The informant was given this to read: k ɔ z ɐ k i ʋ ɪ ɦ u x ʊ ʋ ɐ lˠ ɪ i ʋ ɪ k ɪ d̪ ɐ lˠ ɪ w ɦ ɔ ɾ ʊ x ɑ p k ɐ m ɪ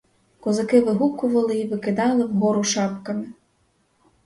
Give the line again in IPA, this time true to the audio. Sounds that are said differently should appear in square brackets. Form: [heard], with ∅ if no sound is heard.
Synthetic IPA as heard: k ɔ z ɐ k [ɪ] ʋ ɪ ɦ u [k] ʊ ʋ ɐ lˠ ɪ i ʋ ɪ k ɪ d̪ [ɑ] lˠ ɪ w ɦ ɔ ɾ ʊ [ʃ] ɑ p k ɐ m ɪ